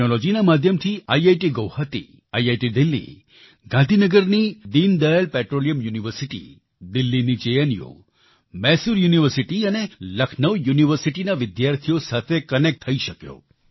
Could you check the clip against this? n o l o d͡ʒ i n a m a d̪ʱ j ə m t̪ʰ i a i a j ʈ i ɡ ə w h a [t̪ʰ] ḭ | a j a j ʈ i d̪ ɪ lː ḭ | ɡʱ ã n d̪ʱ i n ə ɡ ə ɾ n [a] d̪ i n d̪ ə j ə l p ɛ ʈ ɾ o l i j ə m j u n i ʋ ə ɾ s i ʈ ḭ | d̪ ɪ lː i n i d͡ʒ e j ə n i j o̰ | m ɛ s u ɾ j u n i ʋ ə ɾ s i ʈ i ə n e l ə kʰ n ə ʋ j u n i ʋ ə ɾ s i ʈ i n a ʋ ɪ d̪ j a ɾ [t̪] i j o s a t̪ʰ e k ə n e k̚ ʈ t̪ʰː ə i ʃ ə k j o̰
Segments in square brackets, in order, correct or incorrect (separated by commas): incorrect, incorrect, incorrect